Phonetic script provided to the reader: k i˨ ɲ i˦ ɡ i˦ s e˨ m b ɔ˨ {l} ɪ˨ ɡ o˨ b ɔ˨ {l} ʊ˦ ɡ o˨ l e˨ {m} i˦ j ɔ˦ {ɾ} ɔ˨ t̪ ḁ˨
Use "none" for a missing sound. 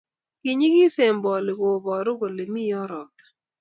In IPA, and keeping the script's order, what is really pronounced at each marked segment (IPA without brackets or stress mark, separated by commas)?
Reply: l, ɾ, m, ɾ